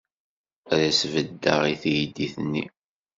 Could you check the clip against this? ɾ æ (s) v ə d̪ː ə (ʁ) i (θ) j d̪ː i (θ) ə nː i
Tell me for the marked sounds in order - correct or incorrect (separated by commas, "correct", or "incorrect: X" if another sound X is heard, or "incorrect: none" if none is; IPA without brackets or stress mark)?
correct, correct, correct, correct